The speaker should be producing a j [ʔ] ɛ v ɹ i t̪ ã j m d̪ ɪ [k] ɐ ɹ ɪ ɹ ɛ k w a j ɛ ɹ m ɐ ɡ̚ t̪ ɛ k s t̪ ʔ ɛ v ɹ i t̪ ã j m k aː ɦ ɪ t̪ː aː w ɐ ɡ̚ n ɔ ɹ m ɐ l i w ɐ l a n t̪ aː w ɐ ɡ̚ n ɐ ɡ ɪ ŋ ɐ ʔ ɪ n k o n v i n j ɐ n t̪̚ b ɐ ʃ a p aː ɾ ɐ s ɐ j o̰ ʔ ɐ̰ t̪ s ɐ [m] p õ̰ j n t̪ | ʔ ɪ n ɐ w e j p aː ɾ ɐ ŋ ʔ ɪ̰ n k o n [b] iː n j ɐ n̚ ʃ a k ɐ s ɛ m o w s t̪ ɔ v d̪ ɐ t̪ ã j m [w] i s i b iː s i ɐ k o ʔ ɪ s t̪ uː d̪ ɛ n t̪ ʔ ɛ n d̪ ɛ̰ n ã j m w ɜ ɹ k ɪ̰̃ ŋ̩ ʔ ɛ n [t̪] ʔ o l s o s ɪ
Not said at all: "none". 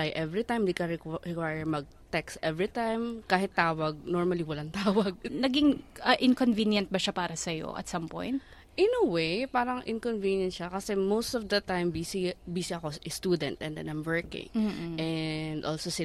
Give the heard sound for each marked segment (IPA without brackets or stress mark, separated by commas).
ʔ, k, m, v, b, d̪